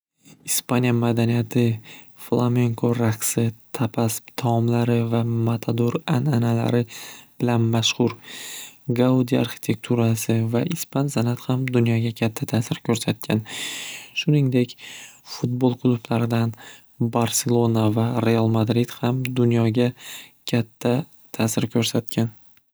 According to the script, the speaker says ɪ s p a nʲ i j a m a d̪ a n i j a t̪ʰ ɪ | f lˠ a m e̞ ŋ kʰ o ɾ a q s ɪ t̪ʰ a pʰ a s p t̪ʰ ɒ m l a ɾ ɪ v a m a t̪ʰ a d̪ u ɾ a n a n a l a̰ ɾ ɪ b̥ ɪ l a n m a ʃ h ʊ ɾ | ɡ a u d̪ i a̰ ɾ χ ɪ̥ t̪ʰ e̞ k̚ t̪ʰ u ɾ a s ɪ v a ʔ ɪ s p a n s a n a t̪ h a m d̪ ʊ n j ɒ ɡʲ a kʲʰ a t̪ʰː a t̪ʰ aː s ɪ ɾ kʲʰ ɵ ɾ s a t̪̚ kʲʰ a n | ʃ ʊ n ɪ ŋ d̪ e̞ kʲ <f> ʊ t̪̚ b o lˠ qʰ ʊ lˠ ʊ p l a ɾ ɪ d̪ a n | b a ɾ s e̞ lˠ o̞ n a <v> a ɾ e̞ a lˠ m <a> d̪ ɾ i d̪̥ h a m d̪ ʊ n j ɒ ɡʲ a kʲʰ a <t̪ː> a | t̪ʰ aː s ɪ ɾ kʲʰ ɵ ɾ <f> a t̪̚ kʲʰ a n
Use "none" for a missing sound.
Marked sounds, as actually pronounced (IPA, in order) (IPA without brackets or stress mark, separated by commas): f, v, a, t̪ʰː, s